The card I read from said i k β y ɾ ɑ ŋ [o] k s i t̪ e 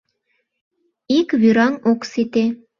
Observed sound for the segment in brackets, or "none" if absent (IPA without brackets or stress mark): o